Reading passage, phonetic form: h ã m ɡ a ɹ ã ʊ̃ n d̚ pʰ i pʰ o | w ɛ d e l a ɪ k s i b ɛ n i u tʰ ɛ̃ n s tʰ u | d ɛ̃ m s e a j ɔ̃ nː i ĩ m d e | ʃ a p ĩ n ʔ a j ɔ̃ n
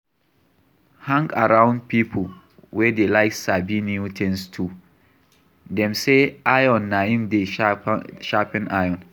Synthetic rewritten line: h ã ŋ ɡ a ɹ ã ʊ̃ n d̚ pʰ i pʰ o | w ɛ d e l a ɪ k s a b i n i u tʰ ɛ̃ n s tʰ u | d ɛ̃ m s e a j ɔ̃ nː a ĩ m d e | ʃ a p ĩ n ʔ a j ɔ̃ n